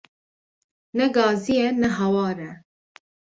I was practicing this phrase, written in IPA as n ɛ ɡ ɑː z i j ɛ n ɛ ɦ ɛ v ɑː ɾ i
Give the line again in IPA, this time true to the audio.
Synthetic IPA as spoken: n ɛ ɡ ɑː z i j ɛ n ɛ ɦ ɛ w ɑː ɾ ɛ